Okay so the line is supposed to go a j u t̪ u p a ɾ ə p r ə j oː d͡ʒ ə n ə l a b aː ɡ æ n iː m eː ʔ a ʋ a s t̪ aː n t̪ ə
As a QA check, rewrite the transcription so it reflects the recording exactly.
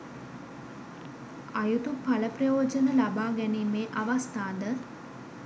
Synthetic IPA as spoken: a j u t̪ u p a l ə p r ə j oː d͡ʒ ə n ə l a b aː ɡ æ n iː m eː ʔ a ʋ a s t̪ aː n d̪ ə

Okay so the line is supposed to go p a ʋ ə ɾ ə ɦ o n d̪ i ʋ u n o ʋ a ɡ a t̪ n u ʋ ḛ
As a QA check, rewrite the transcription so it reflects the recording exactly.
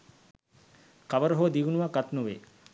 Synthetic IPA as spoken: k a ʋ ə ɾ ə ɦ o d̪ i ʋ u n u ʋ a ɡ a t̪ n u ʋ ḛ

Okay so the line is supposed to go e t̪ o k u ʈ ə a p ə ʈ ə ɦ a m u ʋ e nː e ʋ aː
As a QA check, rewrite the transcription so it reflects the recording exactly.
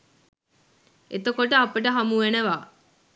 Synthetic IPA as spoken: e t̪ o k o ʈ ə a p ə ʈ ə ɦ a m u ʋ e n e ʋ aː

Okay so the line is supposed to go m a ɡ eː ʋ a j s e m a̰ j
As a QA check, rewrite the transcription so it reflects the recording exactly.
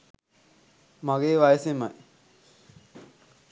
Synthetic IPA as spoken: m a ɡ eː ʋ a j s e m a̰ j

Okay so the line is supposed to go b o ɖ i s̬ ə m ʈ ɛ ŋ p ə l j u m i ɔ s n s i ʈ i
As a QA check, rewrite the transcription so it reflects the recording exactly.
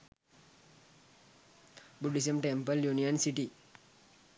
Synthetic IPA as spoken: b u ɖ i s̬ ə m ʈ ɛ m p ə l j u n i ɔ n s i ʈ i

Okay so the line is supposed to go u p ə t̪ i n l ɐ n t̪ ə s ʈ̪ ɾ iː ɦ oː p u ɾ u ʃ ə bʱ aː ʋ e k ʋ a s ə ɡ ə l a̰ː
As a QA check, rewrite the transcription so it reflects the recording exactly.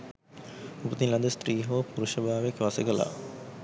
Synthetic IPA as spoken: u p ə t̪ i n l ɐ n d̪ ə s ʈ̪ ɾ iː ɦ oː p u ɾ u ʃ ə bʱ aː ʋ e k ʋ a s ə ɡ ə l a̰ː

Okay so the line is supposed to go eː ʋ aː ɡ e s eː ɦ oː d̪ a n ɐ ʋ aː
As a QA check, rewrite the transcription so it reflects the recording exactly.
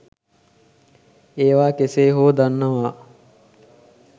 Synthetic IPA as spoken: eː ʋ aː k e s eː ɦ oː d̪ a nː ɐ ʋ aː

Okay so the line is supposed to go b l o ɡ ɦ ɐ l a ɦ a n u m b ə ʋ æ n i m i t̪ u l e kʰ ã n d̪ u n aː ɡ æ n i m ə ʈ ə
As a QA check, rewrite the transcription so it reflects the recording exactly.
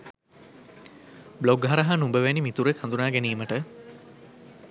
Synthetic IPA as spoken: b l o ɡ ɦ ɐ ɾ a ɦ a n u m b ə ʋ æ n i m i t̪ u ɾ e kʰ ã n d̪ u n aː ɡ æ n iː m ə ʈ ə

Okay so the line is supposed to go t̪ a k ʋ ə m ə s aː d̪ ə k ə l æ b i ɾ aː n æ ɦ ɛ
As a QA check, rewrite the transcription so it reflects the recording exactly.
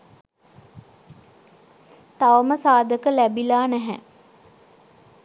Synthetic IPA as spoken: t̪ a ʋ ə m ə s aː d̪ ə k ə l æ b i l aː n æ ɦ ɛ

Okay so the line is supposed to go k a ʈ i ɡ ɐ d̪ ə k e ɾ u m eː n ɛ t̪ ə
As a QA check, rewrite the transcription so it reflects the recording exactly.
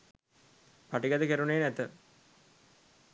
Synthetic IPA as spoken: p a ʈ i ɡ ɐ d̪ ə k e ɾ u n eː n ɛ t̪ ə

